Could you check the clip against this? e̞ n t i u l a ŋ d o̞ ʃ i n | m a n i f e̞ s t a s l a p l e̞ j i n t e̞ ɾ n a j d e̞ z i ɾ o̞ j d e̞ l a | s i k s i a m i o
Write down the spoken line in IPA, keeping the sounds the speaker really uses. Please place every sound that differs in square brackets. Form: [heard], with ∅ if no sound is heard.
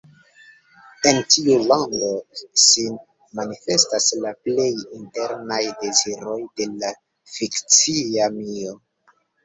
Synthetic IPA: e̞ n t i u l a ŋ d o̞ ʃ i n | m a n i f e̞ s t a s l a p l e̞ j i n t e̞ ɾ n a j d e̞ z i ɾ o̞ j d e̞ l a | [f] i k [t͡s] i a m i o